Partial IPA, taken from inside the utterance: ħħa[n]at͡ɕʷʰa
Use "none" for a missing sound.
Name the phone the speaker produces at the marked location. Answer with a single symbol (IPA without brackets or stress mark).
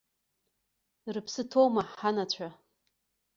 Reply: n